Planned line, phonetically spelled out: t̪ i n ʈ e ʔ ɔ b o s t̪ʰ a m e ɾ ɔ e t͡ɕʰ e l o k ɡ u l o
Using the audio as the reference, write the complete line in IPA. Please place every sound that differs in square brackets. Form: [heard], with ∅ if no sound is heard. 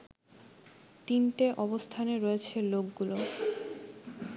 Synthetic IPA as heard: t̪ i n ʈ e ʔ ɔ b o s t̪ʰ a [n] e ɾ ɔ e t͡ɕʰ e l o k ɡ u l o